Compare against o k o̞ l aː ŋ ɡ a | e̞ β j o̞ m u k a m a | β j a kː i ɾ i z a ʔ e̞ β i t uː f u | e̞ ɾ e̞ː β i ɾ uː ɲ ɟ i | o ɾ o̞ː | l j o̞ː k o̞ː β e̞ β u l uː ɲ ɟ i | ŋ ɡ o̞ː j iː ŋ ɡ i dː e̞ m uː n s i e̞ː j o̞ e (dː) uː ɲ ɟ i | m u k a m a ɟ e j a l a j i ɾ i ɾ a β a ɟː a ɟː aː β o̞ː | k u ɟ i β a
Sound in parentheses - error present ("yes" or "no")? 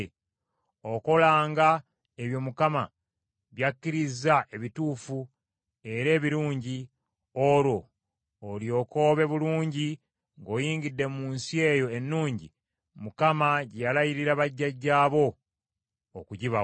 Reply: yes